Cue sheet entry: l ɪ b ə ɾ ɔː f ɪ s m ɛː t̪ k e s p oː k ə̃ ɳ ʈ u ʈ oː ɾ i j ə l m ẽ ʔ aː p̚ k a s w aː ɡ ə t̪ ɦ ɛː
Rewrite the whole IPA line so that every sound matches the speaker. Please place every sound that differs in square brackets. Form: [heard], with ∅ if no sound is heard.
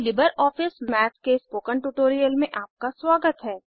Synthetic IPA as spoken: l ɪ b ə ɾ ɔː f ɪ s m ɛː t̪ k e s p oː k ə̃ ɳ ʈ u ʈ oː ɾ i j ə l m ẽ ʔ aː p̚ k a s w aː ɡ ə t̪ ɦ ɛː